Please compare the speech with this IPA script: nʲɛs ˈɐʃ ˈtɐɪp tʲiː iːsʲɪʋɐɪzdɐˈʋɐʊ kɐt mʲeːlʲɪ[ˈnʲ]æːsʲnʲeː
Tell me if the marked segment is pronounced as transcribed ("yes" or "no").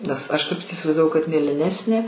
yes